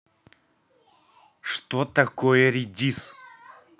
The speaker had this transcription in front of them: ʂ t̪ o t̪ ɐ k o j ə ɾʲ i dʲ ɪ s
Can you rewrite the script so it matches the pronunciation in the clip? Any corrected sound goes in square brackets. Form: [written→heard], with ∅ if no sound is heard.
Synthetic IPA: ʂ t̪ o t̪ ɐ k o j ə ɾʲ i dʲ [ɪ→i] s